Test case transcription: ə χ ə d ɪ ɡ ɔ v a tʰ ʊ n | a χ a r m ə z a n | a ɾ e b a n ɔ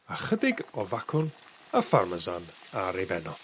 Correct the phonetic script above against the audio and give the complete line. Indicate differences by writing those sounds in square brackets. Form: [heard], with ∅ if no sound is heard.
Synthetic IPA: [a] χ ə d ɪ ɡ ɔ v a [kʰ] ʊ n | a [f] a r m ə z a n | a ɾ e b [ɛ] n ɔ